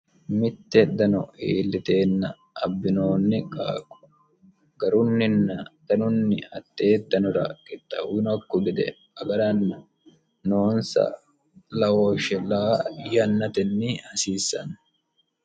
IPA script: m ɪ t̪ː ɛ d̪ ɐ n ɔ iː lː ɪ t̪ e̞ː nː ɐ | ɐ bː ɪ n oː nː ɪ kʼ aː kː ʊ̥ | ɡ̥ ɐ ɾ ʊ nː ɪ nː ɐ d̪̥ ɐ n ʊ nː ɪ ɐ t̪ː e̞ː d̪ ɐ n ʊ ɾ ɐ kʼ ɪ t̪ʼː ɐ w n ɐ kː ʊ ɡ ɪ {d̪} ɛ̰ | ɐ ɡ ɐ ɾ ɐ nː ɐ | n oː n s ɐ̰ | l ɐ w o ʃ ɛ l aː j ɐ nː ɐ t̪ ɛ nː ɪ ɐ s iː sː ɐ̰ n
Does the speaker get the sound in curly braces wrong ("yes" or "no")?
no